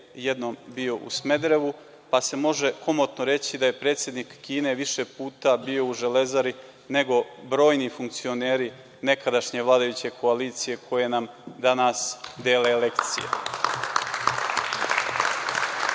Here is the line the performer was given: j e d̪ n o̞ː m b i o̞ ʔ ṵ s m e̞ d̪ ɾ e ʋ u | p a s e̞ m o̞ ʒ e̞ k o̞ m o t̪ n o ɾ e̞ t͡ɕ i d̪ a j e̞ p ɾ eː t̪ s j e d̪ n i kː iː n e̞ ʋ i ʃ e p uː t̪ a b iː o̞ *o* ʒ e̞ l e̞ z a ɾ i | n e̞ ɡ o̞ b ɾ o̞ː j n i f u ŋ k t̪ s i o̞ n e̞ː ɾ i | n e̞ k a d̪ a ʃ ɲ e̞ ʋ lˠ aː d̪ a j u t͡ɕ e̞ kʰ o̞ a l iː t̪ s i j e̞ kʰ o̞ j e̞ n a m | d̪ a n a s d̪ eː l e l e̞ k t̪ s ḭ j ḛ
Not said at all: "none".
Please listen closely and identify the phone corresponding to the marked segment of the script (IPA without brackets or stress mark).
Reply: u